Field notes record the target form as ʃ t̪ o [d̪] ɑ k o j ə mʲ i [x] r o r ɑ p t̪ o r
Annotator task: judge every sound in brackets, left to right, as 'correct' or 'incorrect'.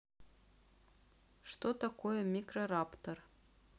incorrect: t̪, incorrect: k

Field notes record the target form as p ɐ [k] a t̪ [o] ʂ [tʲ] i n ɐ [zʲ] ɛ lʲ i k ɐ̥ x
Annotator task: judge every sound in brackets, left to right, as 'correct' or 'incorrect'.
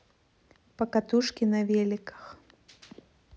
correct, incorrect: u, incorrect: kʲ, incorrect: vʲ

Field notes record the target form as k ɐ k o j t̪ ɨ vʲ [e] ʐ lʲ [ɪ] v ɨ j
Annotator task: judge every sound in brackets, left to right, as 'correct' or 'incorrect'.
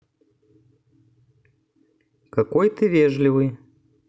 correct, correct

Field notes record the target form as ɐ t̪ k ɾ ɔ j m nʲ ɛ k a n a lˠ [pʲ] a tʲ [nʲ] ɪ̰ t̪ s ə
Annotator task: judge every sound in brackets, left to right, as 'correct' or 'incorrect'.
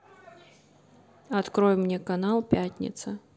correct, correct

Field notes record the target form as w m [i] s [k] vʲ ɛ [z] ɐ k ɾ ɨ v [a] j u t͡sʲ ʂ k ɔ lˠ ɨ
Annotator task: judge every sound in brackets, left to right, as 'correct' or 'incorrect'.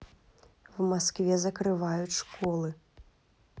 incorrect: a, correct, correct, correct

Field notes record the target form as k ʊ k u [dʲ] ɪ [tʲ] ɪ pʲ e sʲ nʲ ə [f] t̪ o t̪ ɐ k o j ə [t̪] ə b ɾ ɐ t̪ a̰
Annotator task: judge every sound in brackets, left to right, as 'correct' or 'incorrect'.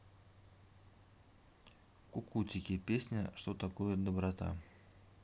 incorrect: tʲ, incorrect: kʲ, incorrect: ʂ, incorrect: d̪

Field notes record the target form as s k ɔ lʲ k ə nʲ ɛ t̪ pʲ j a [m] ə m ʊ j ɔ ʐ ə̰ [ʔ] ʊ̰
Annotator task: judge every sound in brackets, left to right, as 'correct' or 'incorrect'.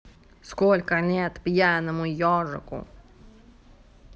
incorrect: n, incorrect: k

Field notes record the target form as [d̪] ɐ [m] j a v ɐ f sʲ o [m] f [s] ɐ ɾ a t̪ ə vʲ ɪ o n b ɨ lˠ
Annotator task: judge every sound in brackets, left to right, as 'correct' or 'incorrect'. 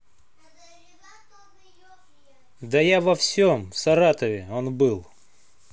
correct, incorrect: none, correct, correct

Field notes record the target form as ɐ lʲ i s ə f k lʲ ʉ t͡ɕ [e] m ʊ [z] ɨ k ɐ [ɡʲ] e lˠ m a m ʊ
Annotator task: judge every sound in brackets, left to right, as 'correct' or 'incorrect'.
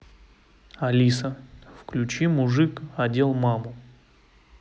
incorrect: i, incorrect: ʐ, incorrect: dʲ

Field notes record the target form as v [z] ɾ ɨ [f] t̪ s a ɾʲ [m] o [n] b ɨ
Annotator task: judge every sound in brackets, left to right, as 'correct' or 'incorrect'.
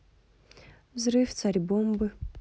correct, correct, incorrect: b, incorrect: m

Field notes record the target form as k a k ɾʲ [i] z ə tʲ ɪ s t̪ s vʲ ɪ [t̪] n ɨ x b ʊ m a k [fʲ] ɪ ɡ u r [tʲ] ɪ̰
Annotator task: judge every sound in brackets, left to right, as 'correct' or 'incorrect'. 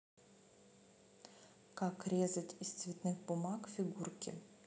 incorrect: e, correct, correct, incorrect: kʲ

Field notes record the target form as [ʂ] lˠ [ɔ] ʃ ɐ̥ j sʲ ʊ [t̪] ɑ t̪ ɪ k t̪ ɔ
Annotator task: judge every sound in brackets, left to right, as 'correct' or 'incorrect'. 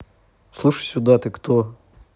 incorrect: s, incorrect: u, incorrect: d̪

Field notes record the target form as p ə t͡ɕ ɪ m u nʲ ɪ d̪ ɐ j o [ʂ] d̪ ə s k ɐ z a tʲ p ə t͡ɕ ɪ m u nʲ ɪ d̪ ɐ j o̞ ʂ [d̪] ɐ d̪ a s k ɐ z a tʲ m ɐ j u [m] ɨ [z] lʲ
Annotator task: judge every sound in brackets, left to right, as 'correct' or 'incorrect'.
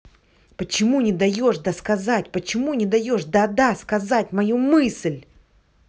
correct, correct, correct, incorrect: s

